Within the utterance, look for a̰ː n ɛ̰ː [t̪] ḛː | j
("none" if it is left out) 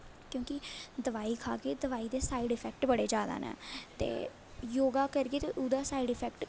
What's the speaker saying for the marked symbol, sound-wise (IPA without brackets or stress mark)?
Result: t̪